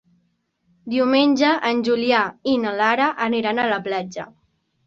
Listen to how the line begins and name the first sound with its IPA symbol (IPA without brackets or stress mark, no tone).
d̪